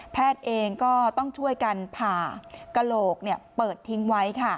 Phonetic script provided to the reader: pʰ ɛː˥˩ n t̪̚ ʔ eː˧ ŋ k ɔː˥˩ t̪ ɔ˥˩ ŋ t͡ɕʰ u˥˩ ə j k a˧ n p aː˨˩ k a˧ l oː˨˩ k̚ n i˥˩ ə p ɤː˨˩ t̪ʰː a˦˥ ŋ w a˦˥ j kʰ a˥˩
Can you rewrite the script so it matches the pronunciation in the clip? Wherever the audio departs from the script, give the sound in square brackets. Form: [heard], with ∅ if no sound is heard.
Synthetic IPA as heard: pʰ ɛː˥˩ [∅] t̪̚ ʔ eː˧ ŋ k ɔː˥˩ t̪ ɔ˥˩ ŋ t͡ɕʰ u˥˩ ə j k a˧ n [pʰ] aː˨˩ k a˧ l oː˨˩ k̚ n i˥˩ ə p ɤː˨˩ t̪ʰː [i˦˥] ŋ w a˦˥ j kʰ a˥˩